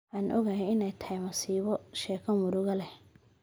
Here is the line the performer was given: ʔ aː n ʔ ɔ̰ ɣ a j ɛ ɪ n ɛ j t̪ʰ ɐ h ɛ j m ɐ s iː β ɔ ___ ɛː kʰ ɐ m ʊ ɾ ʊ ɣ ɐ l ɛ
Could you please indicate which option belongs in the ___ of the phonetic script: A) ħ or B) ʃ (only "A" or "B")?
B